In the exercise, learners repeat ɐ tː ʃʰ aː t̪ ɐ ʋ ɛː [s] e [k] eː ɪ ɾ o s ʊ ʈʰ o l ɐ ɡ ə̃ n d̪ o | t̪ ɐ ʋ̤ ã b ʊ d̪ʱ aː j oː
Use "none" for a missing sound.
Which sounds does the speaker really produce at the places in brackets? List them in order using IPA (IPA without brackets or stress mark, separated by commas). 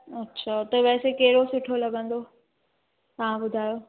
s, k